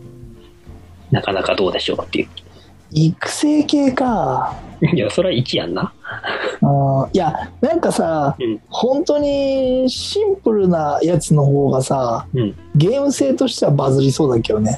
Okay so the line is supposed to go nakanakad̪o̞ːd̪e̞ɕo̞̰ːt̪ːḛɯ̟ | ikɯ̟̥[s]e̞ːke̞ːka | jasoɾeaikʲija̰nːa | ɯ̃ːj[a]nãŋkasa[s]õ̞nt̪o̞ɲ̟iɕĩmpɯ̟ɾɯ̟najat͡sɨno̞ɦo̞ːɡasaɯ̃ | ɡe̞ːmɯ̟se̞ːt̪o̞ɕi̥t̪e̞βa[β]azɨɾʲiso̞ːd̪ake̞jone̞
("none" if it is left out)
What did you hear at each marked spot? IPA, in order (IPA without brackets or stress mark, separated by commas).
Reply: s, a, h, b